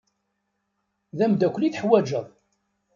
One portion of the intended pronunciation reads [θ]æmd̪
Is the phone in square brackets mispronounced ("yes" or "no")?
yes